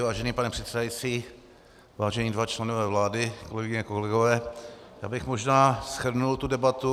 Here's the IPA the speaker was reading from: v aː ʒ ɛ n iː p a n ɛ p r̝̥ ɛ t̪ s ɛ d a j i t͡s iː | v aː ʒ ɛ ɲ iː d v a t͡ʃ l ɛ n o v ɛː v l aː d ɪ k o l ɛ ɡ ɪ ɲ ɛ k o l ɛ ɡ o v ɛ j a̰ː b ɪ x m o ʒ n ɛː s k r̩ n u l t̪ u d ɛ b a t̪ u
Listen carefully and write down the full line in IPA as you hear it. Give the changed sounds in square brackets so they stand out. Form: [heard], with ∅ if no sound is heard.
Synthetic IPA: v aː ʒ ɛ n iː p a n ɛ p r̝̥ ɛ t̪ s ɛ d a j i t͡s iː | v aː ʒ ɛ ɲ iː d v a t͡ʃ l ɛ n o v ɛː v l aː d ɪ k o l ɛ ɡ ɪ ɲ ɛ k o l ɛ ɡ o v [ɛː] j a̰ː b ɪ x m o ʒ n [aː] s [x] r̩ n u l t̪ u d ɛ b a t̪ u